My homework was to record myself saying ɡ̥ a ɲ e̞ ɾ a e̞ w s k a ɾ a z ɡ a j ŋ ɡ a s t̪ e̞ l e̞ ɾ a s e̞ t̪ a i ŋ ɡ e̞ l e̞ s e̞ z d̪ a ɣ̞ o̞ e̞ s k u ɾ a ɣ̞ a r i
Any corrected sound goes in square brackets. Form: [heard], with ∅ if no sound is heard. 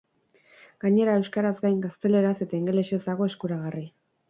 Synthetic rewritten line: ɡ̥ a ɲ e̞ ɾ a e̞ w s k a ɾ a z ɡ a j ŋ ɡ a s t̪ e̞ l e̞ ɾ a s e̞ t̪ a i ŋ ɡ e̞ l e̞ s e̞ z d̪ a ɣ̞ o̞ e̞ s k u ɾ a ɣ̞ a r i